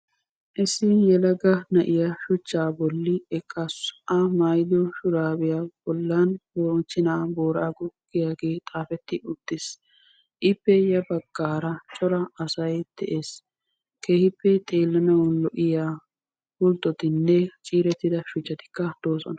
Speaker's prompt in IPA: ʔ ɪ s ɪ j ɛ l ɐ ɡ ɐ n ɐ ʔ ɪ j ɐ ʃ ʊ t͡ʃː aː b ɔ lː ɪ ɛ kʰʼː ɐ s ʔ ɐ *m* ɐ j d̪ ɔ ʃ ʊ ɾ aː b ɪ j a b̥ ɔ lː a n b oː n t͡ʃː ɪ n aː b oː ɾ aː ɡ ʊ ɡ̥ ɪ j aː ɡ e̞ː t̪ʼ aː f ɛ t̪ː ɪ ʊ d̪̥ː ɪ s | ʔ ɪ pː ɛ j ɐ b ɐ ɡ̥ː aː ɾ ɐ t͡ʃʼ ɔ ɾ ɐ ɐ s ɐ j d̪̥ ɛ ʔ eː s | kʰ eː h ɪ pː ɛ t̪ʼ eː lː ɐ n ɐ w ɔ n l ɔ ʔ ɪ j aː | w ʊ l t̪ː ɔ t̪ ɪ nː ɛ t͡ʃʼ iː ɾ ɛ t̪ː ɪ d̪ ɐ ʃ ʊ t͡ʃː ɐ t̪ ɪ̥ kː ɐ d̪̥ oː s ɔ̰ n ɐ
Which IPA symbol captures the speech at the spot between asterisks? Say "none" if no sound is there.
m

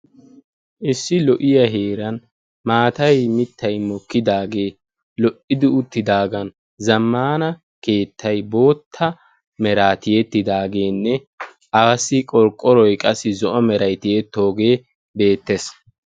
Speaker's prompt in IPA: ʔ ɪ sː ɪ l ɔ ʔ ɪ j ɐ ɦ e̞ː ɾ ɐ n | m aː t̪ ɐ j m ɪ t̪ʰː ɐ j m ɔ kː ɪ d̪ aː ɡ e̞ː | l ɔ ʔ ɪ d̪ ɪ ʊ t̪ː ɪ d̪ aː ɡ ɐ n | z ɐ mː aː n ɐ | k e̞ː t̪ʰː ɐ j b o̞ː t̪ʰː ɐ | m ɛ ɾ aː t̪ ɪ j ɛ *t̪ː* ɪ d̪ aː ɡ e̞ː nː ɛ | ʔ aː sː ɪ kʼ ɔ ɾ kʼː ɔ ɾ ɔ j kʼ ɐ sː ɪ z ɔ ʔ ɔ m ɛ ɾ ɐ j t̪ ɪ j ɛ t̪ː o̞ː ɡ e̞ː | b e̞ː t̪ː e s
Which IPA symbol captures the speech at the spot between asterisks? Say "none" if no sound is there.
t̪ː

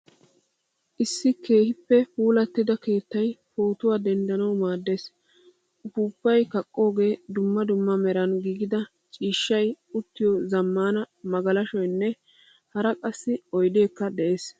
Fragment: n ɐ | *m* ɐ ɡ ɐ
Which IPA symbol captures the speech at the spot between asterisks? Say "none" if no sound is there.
m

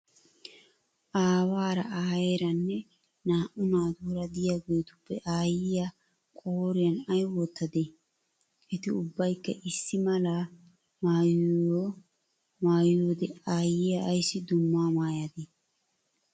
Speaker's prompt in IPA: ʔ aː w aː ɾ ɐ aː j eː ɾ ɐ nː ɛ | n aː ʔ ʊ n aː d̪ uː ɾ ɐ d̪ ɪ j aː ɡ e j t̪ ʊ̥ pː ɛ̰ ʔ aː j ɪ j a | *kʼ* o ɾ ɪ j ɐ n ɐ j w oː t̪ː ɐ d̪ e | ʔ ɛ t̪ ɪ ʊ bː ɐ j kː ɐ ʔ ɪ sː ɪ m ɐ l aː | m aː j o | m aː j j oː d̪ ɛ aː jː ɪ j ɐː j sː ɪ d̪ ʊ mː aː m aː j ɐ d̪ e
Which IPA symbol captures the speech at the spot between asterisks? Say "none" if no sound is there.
kʼ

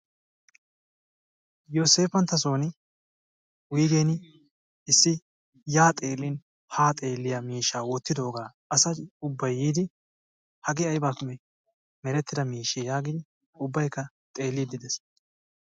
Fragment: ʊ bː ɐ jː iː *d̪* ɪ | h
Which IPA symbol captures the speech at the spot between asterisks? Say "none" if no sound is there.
d̪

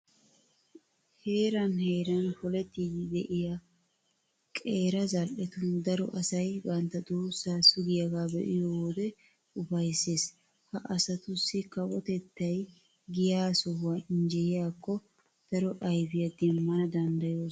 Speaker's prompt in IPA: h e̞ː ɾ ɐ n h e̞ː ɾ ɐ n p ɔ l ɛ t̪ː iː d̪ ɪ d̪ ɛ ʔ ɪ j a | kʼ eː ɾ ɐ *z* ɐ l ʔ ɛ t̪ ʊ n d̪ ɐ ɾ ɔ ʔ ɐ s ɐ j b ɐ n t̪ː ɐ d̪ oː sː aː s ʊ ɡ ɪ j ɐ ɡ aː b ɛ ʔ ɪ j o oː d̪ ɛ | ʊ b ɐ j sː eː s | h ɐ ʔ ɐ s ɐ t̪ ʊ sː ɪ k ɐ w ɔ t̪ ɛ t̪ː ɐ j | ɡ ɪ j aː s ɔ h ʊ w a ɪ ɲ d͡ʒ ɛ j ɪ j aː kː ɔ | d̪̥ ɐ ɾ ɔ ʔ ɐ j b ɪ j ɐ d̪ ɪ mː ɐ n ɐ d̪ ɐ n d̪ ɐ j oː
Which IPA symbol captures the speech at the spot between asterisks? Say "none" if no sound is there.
z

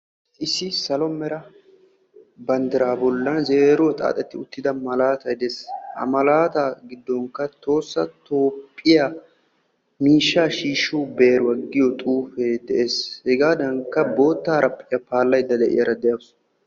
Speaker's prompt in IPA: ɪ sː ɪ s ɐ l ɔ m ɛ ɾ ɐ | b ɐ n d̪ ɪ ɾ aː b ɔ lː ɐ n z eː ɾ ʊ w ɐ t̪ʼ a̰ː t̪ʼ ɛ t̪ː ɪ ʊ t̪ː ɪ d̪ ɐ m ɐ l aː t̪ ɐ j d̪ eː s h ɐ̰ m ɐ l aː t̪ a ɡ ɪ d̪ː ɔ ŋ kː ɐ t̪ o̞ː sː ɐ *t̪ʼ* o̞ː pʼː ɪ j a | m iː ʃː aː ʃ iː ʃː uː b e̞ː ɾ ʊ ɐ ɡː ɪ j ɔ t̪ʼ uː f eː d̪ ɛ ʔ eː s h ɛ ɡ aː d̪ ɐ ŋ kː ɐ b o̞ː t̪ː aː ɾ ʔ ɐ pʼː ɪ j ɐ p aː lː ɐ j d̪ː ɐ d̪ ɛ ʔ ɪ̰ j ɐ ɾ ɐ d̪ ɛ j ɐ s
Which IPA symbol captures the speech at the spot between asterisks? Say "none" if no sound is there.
t̪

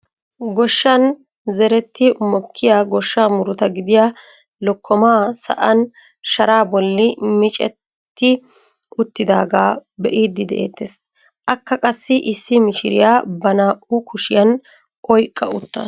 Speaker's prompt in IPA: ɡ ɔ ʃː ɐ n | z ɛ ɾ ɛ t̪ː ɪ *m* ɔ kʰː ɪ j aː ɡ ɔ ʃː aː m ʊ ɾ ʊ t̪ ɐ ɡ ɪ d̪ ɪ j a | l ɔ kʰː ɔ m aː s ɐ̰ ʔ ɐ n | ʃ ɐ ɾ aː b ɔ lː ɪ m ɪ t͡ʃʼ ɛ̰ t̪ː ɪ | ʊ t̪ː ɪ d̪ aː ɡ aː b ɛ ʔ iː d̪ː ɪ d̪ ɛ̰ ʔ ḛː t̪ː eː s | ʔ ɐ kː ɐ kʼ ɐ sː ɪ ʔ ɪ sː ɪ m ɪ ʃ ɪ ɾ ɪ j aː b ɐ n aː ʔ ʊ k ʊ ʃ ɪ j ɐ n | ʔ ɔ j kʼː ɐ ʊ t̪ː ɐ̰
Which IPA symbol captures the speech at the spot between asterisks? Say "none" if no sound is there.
m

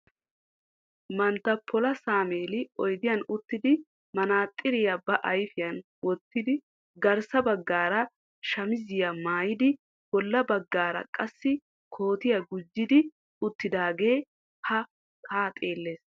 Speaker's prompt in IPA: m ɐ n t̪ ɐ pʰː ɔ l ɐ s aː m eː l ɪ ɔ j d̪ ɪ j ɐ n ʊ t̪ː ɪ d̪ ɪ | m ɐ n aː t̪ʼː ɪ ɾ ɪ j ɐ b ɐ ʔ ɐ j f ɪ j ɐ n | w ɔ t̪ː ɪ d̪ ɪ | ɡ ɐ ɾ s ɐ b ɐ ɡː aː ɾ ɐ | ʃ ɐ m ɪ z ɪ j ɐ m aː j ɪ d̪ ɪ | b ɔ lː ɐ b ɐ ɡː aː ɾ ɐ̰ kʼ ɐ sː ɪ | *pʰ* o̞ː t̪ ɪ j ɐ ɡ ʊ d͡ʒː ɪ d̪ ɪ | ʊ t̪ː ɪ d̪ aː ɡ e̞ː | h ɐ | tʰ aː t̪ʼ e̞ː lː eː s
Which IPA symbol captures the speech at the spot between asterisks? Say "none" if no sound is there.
kʰ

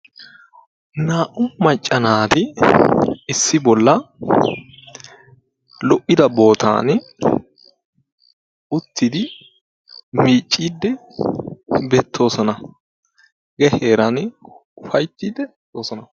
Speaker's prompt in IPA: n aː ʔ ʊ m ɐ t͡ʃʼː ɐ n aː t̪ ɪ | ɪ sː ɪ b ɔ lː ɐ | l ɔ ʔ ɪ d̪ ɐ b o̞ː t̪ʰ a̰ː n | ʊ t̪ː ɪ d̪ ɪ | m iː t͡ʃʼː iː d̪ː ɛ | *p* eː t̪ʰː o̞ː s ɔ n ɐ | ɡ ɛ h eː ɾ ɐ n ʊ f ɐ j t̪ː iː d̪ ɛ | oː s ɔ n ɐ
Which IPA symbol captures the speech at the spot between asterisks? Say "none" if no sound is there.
b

